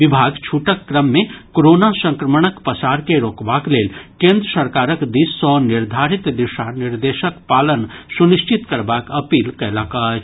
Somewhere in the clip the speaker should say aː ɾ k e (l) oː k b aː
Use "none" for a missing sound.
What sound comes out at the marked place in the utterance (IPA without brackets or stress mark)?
ɾ